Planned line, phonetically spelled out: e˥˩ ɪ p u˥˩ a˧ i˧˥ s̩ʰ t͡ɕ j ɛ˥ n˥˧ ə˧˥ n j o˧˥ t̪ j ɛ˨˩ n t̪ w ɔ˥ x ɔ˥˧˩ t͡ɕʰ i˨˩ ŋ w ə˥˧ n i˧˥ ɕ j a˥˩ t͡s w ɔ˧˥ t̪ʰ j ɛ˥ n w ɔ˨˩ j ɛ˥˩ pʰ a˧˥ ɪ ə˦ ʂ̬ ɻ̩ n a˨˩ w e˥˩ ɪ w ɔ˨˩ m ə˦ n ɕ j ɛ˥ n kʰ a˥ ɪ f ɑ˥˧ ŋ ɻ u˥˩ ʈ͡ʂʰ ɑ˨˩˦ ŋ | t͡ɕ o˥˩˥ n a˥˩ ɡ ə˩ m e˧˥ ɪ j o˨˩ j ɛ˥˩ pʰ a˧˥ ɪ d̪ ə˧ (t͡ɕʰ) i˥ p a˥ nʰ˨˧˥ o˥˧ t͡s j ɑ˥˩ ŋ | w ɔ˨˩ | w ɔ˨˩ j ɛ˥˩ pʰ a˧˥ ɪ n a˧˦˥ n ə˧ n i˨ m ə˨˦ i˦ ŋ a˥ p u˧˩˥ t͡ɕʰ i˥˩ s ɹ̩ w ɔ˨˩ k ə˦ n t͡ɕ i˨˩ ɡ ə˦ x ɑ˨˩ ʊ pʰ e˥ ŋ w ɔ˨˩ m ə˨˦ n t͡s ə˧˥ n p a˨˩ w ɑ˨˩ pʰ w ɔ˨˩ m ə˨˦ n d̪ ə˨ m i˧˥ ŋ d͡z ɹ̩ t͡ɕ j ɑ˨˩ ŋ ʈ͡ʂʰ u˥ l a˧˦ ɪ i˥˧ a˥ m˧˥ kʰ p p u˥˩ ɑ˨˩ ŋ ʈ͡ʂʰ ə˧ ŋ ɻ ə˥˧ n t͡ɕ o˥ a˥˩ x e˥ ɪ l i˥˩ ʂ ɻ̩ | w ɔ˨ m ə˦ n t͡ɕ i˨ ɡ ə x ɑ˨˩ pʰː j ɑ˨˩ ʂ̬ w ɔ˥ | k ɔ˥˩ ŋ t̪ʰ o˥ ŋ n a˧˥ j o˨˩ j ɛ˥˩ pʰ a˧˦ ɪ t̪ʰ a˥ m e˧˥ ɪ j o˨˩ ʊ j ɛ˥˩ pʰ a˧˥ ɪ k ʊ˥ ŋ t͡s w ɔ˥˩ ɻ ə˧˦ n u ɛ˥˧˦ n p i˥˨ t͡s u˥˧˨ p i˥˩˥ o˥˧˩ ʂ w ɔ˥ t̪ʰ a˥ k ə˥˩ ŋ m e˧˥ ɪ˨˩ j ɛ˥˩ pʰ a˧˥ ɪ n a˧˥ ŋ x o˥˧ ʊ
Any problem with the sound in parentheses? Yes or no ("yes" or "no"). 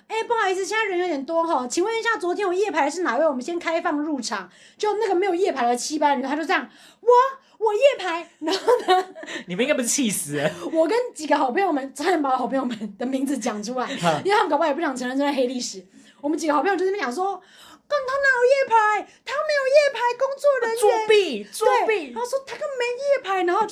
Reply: no